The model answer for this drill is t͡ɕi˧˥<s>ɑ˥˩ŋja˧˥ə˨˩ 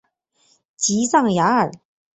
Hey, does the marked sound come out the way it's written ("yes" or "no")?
yes